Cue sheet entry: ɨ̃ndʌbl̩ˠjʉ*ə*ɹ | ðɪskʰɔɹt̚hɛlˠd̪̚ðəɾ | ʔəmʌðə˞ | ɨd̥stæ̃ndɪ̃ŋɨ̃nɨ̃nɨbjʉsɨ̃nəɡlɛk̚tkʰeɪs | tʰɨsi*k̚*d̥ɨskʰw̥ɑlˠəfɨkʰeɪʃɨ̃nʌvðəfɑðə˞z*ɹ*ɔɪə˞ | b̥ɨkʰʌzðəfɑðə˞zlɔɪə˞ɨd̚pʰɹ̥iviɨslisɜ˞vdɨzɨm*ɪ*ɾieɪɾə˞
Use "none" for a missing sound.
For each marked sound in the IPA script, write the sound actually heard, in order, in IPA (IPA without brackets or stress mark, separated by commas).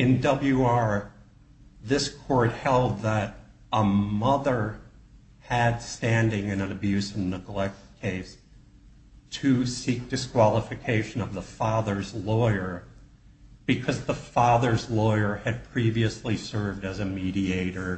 ɑ, k̚, l, i